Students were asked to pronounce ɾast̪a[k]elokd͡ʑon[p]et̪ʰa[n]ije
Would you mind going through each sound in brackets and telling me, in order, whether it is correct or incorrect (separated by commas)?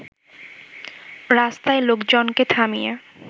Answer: incorrect, incorrect, incorrect